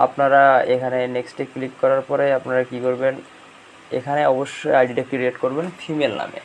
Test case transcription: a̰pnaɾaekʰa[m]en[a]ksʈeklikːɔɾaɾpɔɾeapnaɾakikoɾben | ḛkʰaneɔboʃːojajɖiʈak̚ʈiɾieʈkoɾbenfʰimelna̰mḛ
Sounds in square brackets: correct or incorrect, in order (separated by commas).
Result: incorrect, incorrect